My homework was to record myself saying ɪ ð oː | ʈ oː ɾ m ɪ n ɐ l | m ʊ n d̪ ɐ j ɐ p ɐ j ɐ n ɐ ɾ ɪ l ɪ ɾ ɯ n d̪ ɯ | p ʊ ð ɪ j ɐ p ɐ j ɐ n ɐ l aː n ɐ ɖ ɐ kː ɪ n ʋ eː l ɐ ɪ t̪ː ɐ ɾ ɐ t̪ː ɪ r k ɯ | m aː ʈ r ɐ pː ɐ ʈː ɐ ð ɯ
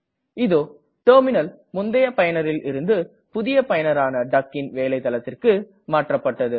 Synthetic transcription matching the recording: ɪ ð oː | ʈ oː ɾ m ɪ n ɐ l | m ʊ n d̪ ɐ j ɐ p ɐ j ɐ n ɐ ɾ ɪ l ɪ ɾ ɯ n d̪ ɯ | p ʊ ð ɪ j ɐ p ɐ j ɐ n ɐ ɾ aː n ɐ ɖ ɐ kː ɪ n ʋ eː l ɐ ɪ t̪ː ɐ l ɐ t̪ː ɪ r k ɯ | m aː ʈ r ɐ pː ɐ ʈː ɐ ð ɯ